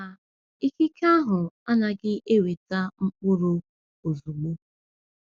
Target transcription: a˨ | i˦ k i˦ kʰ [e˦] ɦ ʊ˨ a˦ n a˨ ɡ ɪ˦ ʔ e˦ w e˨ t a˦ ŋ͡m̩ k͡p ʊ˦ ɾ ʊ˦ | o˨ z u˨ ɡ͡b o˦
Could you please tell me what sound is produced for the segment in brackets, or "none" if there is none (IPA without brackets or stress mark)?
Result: a˦